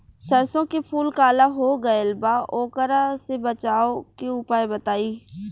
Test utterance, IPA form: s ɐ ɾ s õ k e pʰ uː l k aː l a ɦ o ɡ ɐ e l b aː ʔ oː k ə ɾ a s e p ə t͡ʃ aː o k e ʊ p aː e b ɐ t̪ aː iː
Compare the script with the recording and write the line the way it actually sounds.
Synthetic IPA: s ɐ ɾ s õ k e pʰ uː l k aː l a ɦ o ɡ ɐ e l b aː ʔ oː k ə ɾ a s e b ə t͡ʃ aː o k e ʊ p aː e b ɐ t̪ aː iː